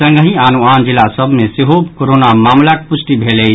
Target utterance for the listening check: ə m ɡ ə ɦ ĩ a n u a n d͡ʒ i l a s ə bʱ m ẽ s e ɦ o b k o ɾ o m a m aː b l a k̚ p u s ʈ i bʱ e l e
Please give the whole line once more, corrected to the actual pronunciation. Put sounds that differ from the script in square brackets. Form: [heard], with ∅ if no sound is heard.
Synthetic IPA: ə [ŋ] ɡ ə ɦ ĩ a n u a n d͡ʒ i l a s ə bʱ m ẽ s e ɦ o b k o ɾ o [n] a m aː [m] l a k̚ p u s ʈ i bʱ e l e